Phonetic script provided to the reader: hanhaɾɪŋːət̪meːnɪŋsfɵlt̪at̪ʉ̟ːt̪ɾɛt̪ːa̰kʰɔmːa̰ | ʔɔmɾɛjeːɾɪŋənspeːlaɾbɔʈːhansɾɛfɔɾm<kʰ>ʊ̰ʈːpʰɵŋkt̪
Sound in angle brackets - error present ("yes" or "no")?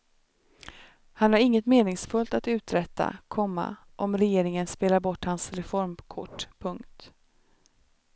no